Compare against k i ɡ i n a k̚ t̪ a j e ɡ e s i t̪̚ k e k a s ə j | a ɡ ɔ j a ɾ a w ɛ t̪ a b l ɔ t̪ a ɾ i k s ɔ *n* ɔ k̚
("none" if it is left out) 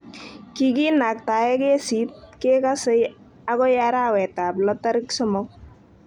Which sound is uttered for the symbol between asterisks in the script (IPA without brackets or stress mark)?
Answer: m